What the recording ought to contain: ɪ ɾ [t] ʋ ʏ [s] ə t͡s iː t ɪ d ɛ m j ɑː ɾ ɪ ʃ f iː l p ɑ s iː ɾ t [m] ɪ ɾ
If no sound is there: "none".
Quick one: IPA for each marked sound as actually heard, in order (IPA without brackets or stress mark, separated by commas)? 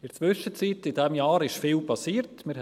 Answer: t͡s, ʃ, m